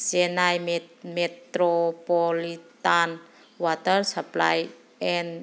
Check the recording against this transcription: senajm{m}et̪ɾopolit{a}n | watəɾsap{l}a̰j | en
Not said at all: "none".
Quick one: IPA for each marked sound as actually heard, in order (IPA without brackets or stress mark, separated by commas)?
m, a, l